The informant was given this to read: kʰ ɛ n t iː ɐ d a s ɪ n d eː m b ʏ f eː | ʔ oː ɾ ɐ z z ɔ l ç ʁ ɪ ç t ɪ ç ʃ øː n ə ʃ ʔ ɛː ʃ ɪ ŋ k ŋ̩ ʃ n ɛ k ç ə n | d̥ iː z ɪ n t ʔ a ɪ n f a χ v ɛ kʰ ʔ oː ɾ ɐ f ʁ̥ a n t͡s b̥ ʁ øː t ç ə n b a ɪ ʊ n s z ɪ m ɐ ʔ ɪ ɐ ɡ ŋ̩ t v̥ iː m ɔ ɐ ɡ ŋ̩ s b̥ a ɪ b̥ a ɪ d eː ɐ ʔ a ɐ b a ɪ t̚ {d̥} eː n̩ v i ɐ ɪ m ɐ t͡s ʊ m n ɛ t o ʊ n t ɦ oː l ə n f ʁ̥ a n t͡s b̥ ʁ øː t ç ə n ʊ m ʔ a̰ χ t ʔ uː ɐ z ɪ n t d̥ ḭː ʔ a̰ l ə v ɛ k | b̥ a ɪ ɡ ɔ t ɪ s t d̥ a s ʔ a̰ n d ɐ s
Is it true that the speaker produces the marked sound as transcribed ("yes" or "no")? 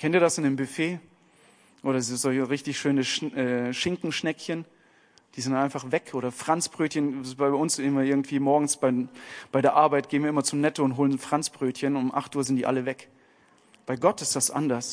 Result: no